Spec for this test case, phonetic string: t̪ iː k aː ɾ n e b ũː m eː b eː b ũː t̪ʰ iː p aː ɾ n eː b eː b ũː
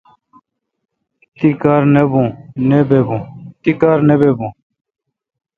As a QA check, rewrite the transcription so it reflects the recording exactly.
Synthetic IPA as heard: t̪ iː k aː ɾ n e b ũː n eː b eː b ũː t̪ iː k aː ɾ n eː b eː b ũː

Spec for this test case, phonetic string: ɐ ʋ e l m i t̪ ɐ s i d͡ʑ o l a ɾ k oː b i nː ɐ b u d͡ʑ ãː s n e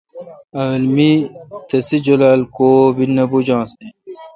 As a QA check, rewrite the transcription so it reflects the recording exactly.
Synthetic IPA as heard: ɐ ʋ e l m i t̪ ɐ s i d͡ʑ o l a l k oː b i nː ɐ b u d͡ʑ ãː s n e

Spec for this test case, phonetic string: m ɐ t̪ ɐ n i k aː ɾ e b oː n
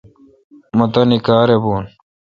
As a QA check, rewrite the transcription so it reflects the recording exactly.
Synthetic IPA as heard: m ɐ t̪ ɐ n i k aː ɾ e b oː n

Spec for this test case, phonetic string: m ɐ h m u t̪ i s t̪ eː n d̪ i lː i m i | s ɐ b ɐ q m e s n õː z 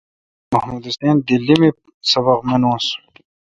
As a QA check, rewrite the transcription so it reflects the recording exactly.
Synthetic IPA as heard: m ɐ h m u d̪ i s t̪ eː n d̪ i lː i m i | s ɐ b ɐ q m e n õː s

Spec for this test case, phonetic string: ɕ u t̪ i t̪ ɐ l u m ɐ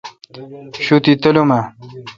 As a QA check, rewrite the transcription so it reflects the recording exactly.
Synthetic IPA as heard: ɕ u t̪ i t̪ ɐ l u m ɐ

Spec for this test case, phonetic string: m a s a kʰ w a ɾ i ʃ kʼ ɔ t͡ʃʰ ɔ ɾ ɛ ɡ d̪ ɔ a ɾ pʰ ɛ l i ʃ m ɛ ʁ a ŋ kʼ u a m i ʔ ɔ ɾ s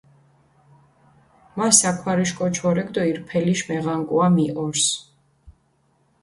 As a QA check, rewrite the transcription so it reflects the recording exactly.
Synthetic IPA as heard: m a s a kʰ w a ɾ i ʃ kʼ ɔ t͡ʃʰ ɔ ɾ ɛ ɡ d̪ ɔ i ɾ pʰ ɛ l i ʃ m ɛ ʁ a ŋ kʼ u a m i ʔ ɔ ɾ s

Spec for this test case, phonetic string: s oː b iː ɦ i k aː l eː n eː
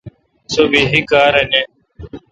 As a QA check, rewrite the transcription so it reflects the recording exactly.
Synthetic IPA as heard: s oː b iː ɦ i k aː ɾ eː n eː

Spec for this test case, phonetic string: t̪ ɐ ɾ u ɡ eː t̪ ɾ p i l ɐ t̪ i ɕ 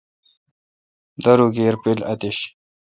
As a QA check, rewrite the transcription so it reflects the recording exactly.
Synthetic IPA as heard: d̪ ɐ ɾ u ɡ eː ɾ p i l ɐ t̪ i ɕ

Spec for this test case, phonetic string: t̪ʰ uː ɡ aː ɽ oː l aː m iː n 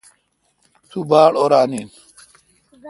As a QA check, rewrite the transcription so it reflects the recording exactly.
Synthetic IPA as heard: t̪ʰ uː b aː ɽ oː ɾ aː n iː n

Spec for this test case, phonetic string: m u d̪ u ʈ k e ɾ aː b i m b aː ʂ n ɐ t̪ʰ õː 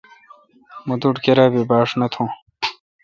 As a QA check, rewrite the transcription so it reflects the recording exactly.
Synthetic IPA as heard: m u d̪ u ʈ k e ɾ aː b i b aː ʂ n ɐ t̪ʰ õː

